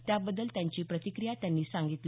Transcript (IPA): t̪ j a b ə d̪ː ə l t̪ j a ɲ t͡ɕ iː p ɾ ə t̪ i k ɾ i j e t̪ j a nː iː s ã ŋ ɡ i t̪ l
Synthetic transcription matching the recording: t̪ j a b ə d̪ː ə l t̪ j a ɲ t͡ɕ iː p ɾ ə t̪ i k ɾ i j a t̪ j a nː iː s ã ŋ ɡ i t̪ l

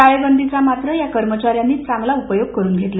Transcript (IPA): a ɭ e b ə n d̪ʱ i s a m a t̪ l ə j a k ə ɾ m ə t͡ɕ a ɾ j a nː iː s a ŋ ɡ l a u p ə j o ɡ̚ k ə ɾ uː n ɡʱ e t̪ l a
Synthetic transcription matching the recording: a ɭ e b ə n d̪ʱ i t͡s a m a t̪ ɾ ə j a k ə ɾ m ə t͡ɕ a ɾ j a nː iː t͡s a ŋ ɡ l a u p ə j o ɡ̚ k ə ɾ uː n ɡʱ e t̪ l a

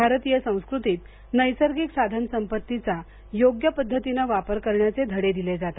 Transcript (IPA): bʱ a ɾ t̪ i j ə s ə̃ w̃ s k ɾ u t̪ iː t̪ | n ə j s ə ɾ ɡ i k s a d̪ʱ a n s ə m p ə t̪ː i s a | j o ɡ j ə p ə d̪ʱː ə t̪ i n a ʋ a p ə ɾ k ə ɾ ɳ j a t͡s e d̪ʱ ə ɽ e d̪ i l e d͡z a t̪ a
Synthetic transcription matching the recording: bʱ a ɾ t̪ i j ə s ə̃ w̃ s k ɾ u t̪ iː t̪ | n ə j s ə ɾ ɡ i k s a d̪ʱ a n s ə m p ə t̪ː i t͡s a | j o ɡ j ə p ə d̪ʱː ə t̪ i n a ʋ a p ə ɾ k ə ɾ ɳ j a t͡s e d̪ʱ ə ɽ e d̪ i l e d͡z a t̪ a

